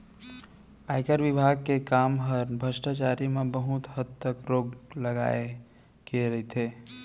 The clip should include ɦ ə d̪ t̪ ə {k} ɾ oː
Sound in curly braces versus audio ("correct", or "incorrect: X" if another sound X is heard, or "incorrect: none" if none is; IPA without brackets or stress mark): correct